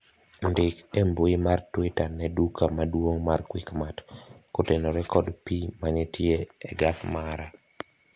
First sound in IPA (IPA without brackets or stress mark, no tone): n